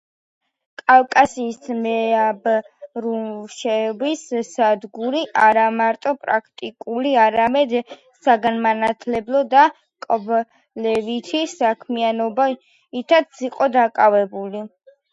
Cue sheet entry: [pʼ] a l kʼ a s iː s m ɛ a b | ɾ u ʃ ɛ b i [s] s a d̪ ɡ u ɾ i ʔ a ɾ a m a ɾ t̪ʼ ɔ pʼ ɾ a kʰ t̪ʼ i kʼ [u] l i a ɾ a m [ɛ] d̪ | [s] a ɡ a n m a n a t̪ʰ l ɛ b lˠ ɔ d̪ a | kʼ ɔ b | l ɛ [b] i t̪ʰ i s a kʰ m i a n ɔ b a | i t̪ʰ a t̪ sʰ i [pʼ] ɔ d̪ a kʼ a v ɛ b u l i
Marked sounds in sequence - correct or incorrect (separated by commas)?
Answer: incorrect, correct, correct, correct, correct, incorrect, incorrect